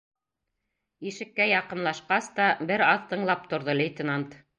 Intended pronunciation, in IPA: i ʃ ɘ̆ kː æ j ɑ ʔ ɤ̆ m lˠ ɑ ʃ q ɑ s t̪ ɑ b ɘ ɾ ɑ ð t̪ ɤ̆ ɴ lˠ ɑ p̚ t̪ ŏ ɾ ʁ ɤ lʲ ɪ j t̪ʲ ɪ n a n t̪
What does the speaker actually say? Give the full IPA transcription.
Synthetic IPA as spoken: i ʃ ɘ̆ kː æ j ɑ q ɤ̆ m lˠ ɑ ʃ q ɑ s t̪ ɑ b ɘ ɾ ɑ ð t̪ ɤ̆ ɴ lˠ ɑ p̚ t̪ ŏ ɾ ð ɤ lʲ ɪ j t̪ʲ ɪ n a n t̪